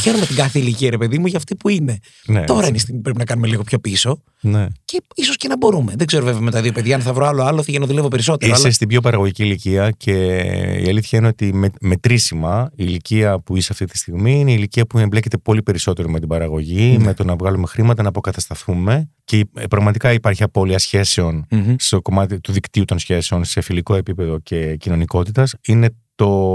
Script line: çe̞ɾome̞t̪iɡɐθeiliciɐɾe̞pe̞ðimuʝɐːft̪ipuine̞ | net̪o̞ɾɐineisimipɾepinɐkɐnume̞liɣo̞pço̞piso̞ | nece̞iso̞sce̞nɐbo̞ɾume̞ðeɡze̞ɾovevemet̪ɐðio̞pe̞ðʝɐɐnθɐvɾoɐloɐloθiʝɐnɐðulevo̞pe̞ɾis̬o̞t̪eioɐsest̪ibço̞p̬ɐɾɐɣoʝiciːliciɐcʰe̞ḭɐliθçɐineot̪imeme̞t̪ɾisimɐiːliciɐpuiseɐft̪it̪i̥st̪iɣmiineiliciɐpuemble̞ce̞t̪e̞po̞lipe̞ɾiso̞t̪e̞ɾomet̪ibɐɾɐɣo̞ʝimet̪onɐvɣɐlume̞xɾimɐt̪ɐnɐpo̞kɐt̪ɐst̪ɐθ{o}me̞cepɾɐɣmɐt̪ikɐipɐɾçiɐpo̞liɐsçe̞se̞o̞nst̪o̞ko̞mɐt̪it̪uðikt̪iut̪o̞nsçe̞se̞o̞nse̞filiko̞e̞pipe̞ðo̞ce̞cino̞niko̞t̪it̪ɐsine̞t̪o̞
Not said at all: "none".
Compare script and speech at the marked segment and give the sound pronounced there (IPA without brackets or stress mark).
u